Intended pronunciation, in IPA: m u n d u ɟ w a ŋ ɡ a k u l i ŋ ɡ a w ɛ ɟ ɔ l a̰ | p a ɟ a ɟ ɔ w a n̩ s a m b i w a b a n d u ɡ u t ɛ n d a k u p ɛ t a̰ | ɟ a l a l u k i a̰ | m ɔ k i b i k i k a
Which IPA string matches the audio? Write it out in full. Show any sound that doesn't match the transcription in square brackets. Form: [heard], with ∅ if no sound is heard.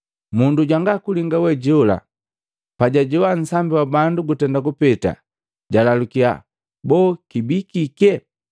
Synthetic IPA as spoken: m u n d u ɟ w a ŋ ɡ a k u l i ŋ ɡ a w ɛ ɟ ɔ l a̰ | p a ɟ a ɟ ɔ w a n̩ s a m b i w a b a n d u ɡ u t ɛ n d a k u p ɛ t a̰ | ɟ a l a l u k i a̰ | [b] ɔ k i b i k i k [ɛ]